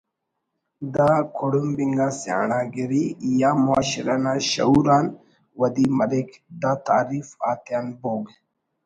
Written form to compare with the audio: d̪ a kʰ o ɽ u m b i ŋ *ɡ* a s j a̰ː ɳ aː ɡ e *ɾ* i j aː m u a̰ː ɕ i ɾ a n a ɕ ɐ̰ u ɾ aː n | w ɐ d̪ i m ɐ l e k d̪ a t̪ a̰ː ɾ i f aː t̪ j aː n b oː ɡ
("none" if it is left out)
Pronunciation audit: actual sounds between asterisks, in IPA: ɡ, ɾ

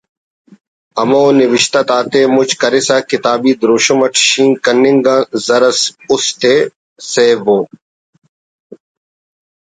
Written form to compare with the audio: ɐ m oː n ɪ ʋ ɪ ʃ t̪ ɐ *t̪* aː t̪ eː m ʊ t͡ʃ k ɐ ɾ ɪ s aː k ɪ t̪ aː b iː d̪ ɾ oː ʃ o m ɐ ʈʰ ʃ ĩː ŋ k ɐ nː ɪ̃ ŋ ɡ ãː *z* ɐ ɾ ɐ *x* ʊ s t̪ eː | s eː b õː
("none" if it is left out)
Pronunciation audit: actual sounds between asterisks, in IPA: t̪, z, s

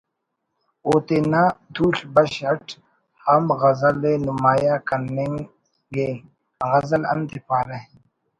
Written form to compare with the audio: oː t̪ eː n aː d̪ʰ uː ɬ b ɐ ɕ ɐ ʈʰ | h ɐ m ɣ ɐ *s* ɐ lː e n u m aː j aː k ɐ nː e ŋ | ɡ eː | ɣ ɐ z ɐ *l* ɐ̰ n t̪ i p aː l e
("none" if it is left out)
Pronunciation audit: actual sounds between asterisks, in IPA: z, l

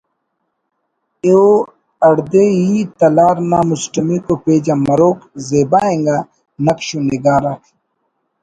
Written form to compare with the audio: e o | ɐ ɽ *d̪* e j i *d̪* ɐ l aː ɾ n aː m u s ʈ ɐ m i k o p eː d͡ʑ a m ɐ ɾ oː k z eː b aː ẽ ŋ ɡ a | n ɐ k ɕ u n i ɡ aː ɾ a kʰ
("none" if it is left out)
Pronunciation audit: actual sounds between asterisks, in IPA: d̪, t̪

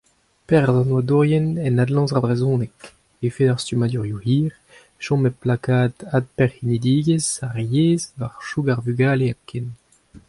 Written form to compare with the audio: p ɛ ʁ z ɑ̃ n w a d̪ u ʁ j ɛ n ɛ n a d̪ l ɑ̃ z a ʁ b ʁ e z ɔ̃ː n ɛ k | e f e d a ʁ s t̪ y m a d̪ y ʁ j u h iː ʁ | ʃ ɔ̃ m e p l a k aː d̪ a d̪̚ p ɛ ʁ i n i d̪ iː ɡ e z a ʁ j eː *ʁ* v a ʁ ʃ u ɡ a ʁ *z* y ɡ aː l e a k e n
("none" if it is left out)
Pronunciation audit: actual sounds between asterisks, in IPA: z, v

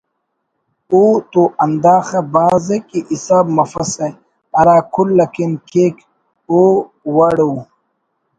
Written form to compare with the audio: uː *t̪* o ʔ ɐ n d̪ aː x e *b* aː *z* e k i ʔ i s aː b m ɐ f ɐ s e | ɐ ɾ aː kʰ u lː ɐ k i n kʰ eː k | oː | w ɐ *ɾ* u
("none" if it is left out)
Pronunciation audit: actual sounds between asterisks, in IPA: t̪, b, z, ɽ

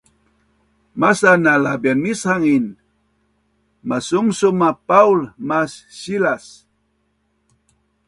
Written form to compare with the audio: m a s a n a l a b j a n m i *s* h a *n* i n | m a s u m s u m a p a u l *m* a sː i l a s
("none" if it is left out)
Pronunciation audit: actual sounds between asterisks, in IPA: s, ŋ, m

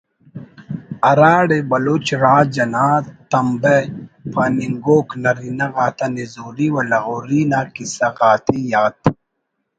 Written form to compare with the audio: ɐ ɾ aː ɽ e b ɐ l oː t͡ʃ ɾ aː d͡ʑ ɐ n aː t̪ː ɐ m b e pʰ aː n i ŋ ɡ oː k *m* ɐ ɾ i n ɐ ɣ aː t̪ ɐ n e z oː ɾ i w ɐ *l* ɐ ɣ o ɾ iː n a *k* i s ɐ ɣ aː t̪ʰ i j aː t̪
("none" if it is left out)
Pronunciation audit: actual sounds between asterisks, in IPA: n, l, k

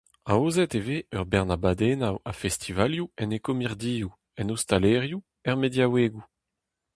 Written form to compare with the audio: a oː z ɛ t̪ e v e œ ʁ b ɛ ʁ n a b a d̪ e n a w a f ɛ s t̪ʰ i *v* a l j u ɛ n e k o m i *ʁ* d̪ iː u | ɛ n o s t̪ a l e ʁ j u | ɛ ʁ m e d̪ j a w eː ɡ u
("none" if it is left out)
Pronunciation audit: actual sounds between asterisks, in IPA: v, ʁ

